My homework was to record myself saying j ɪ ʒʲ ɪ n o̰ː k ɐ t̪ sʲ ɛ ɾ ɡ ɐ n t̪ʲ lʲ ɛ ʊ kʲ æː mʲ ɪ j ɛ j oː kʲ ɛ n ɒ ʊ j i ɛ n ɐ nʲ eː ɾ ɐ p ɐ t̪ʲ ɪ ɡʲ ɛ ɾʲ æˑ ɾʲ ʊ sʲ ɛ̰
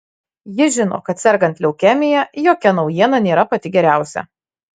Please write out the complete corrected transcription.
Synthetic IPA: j ɪ ʒʲ ɪ n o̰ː k ɐ t̪ sʲ ɛ ɾ ɡ ɐ n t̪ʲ lʲ ɛ ʊ kʲ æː mʲ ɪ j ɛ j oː kʲ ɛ n ɒ ʊ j i ɛ n ɐ nʲ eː ɾ ɐ p ɐ t̪ʲ ɪ ɡʲ ɛ ɾʲ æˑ ʊ sʲ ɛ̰